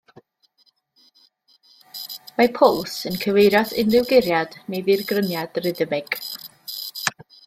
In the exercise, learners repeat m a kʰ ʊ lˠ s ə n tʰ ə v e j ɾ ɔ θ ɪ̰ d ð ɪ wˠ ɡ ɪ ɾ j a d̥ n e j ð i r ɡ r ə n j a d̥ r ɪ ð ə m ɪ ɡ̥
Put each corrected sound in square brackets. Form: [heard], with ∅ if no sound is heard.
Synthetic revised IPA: m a [pʰ] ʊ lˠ s ə n [kʰ] ə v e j ɾ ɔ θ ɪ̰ [n] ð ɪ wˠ ɡ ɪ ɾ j a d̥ n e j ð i r ɡ r ə n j a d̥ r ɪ ð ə m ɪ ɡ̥